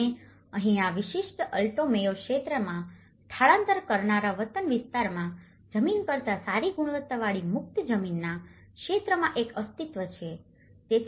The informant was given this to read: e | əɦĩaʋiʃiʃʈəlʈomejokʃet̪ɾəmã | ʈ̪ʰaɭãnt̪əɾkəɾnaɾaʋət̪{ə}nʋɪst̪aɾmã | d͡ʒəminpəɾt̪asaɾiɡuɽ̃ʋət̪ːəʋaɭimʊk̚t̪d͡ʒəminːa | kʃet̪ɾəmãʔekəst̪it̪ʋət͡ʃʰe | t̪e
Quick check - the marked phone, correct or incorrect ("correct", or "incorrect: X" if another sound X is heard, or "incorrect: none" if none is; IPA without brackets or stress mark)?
correct